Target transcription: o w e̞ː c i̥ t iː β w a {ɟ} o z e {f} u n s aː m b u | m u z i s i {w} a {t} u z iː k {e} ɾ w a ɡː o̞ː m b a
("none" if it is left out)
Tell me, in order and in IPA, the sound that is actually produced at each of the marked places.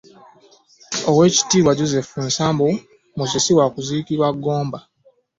ɟ, f, w, k, i

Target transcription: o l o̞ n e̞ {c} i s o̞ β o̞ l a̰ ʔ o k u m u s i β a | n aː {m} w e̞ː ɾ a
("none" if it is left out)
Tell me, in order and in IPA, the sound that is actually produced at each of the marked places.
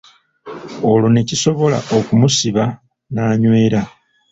c, ɲ

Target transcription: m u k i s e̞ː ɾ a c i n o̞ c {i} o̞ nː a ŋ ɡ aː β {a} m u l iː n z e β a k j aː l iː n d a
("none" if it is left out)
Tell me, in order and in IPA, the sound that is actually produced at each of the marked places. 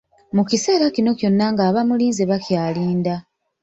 j, a

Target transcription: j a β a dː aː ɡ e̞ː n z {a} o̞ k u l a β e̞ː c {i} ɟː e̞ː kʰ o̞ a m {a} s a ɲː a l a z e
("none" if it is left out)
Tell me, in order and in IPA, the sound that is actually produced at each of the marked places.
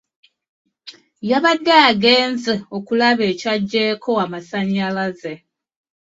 e, a, a

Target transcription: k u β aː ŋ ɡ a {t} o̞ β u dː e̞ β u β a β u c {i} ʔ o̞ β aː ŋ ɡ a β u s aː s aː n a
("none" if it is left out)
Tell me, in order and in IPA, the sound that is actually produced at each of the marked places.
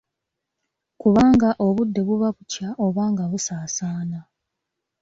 ʔ, a

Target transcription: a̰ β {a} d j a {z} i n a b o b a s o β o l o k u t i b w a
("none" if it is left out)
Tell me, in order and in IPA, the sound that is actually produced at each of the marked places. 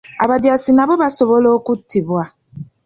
a, s

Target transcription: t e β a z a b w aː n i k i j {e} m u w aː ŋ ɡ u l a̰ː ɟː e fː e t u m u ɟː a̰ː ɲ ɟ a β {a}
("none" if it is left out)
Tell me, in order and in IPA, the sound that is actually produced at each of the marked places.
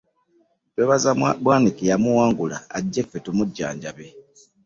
a, e

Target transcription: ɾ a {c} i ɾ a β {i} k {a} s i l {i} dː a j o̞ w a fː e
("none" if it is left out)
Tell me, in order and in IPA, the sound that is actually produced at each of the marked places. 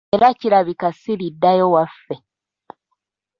c, i, a, i

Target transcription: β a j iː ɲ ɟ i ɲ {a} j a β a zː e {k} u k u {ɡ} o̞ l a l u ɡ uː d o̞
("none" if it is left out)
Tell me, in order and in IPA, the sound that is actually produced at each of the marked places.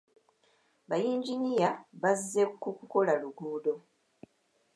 i, k, k

